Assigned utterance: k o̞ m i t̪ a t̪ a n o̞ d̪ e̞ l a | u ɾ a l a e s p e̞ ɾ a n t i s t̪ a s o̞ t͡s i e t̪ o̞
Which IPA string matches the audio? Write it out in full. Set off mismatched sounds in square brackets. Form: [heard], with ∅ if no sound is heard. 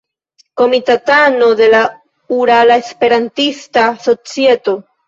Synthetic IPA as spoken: k o̞ m i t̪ a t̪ a n o̞ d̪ e̞ l a | u ɾ a l a e s p e̞ ɾ a n t i s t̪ a s o̞ t͡s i e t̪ o̞